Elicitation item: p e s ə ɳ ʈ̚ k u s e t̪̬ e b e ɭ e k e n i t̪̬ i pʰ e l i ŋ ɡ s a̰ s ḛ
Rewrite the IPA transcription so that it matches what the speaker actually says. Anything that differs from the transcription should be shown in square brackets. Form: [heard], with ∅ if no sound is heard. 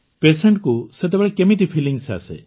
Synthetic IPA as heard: p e s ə ɳ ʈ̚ k u s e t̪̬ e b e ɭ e k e [m] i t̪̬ i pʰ [i] l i ŋ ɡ s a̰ s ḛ